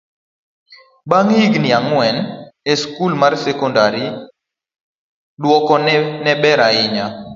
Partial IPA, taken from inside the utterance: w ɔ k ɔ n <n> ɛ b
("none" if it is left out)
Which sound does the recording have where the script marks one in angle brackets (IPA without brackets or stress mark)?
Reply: n